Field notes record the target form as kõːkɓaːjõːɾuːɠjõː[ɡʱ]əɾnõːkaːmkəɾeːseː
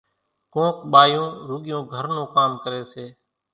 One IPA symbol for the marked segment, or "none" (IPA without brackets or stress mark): ɡʱ